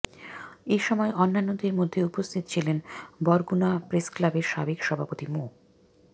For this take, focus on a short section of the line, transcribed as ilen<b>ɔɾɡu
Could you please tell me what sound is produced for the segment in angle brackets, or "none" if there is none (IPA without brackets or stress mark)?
b